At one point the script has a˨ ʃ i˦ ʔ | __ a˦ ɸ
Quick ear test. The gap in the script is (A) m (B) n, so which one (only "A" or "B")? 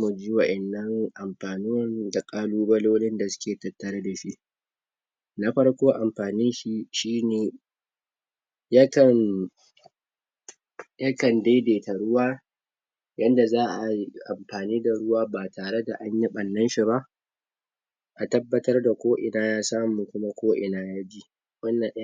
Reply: B